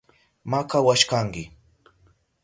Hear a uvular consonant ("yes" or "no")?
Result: no